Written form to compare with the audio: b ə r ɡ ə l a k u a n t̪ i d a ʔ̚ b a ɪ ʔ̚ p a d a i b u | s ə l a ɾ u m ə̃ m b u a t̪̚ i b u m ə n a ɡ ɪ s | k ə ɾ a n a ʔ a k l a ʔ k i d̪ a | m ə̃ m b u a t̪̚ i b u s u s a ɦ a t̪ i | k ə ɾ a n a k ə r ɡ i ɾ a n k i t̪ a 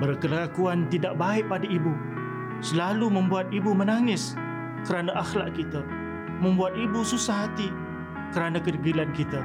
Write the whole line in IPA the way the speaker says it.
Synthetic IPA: b ə r k ə l a k u a n t̪ i d a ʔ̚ b a ɪ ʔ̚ p a d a i b u | s ə l a l u m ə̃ m b u a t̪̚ i b u m ə n a ŋ ɪ s | k ə ɾ a n a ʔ a x l a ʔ k i t̪ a | m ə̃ m b u a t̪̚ i b u s u s a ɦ a t̪ i | k ə ɾ a n a k ə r ɡ i l a n k i t̪ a